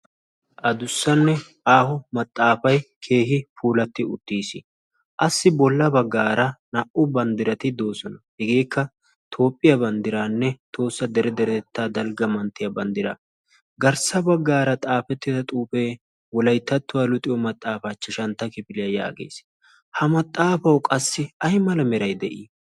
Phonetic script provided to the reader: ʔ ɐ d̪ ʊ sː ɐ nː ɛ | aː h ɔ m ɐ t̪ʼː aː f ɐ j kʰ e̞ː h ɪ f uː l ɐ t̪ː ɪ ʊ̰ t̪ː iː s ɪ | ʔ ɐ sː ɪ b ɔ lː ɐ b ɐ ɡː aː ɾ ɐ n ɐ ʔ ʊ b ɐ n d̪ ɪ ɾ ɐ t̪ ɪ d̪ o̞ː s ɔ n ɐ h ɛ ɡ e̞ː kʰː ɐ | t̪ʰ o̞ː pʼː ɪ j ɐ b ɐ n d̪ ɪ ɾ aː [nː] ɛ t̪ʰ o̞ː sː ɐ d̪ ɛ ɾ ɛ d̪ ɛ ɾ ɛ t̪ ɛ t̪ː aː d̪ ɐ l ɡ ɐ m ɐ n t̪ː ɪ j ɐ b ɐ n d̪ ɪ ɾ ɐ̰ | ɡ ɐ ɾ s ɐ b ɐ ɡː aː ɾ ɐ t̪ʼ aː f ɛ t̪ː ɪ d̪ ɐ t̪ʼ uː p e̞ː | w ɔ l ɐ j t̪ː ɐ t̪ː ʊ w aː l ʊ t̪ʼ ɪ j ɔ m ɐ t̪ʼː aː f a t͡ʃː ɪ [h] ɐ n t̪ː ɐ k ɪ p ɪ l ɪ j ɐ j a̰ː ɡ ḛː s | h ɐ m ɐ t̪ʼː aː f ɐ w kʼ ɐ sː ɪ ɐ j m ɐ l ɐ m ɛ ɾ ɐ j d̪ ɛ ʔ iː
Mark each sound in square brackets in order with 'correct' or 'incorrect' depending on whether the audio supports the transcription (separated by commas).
correct, incorrect